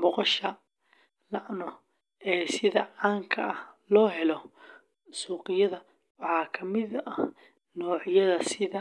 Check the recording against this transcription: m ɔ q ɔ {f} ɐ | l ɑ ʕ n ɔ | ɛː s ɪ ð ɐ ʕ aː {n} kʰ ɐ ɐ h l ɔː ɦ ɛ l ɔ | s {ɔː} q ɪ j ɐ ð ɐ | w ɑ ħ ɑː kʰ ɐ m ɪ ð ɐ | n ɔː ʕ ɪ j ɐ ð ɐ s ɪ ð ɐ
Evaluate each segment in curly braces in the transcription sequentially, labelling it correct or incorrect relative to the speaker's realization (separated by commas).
incorrect, incorrect, incorrect